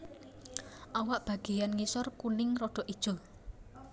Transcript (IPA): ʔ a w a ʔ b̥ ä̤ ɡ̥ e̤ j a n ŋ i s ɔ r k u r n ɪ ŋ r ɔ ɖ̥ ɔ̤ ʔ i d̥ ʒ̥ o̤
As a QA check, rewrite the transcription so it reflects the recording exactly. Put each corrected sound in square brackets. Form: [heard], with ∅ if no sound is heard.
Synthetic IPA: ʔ a w a ʔ b̥ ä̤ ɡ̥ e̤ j a n ŋ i s ɔ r k u [∅] n ɪ ŋ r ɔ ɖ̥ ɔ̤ ʔ i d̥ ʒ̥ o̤